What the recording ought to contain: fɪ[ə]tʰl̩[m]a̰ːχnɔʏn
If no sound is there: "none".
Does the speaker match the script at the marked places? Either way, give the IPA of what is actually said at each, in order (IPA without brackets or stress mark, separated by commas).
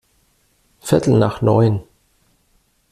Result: ɐ, n